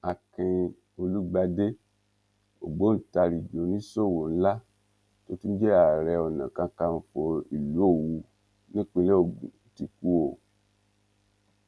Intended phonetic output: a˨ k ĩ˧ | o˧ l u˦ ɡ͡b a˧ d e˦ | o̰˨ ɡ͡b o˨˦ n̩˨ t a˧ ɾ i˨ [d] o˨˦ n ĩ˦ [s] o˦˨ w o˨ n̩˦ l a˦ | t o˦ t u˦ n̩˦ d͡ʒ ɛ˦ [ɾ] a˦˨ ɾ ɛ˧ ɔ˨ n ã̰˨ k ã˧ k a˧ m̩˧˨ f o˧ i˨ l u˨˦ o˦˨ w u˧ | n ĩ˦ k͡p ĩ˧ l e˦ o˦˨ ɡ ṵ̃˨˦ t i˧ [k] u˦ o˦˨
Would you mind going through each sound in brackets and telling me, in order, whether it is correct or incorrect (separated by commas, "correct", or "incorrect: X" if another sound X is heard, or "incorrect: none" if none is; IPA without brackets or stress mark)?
incorrect: d͡ʒ, correct, incorrect: none, correct